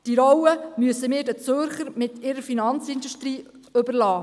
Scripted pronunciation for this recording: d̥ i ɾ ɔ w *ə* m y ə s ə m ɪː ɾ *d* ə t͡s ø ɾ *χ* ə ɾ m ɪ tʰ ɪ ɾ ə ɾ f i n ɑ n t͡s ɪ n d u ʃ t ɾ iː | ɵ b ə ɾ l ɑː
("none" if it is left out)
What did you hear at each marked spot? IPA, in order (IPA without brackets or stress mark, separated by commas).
ə, d, χ